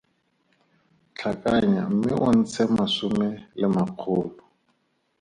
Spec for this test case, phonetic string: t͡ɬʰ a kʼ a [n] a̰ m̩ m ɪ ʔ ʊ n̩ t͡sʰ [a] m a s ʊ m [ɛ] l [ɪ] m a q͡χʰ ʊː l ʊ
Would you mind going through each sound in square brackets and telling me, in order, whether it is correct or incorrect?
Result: incorrect: ɲ, incorrect: ɛ, correct, correct

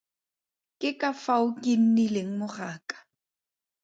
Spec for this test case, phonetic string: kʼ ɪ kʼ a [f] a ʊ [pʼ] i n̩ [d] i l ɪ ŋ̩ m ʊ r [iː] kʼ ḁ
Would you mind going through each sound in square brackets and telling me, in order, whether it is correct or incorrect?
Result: correct, incorrect: kʼ, incorrect: n, incorrect: aː

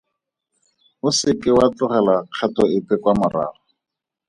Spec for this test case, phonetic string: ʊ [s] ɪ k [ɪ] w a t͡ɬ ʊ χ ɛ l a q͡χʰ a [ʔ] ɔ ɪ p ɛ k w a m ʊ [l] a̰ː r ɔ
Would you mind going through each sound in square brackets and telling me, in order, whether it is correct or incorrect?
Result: correct, correct, incorrect: t, incorrect: r

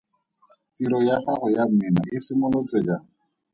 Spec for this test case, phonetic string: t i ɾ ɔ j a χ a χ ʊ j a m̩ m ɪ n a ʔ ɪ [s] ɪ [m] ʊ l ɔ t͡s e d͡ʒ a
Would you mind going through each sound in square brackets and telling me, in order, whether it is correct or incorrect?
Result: correct, correct

